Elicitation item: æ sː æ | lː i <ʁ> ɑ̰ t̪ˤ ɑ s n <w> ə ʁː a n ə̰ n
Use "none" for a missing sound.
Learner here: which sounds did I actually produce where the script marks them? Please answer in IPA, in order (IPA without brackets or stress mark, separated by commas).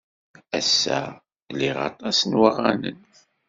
ʁ, w